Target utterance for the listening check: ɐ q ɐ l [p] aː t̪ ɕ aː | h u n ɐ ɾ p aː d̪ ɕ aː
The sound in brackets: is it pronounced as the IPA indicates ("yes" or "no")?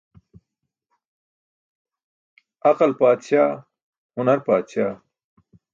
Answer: yes